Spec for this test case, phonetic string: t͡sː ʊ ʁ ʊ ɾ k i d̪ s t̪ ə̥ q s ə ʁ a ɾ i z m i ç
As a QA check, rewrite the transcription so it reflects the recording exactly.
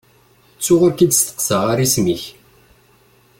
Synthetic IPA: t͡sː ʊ ʁ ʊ ɾ k i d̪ s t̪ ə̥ q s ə ʁ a ɾ i s m i ç